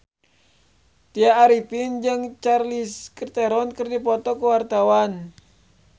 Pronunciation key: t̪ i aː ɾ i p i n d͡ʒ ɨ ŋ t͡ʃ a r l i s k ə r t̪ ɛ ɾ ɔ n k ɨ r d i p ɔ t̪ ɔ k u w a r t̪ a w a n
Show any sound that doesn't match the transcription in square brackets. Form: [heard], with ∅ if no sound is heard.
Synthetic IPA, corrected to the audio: t̪ i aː ɾ i p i n d͡ʒ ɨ ŋ t͡ʃ a r l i s k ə r t̪ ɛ ɾ ɔ n k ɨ r d i p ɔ t̪ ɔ k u w a r t̪ a w a n